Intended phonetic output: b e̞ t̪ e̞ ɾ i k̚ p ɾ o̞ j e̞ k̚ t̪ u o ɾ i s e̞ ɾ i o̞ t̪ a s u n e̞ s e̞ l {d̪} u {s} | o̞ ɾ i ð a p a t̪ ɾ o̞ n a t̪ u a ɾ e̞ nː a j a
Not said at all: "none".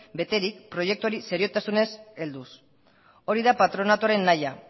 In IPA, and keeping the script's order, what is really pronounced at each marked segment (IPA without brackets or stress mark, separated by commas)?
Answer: d̪, s